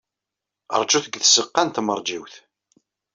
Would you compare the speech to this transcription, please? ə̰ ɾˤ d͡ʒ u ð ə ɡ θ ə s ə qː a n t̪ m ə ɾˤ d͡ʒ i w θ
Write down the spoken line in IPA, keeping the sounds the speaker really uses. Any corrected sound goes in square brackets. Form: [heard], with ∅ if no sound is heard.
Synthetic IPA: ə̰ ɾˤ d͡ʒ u [θ] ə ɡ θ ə s ə qː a n t̪ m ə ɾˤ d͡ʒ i w θ